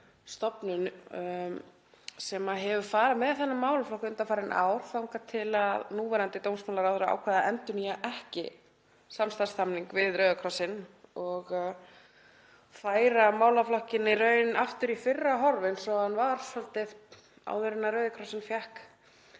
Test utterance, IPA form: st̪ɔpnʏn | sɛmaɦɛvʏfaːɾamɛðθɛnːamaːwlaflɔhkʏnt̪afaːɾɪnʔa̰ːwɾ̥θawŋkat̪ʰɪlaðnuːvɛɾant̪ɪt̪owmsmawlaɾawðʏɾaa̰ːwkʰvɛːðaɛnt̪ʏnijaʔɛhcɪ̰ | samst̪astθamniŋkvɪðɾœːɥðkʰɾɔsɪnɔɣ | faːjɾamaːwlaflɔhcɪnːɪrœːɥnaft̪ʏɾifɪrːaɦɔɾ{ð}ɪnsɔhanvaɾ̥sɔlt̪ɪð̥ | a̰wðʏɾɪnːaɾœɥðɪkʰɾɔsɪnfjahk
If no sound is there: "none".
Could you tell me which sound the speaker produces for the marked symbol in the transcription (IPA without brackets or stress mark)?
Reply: v